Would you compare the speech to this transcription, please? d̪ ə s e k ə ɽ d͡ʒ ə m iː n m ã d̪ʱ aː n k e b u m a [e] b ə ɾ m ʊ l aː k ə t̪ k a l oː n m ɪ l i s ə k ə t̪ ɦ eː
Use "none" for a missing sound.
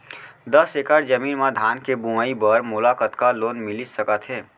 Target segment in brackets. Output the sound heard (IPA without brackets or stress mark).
i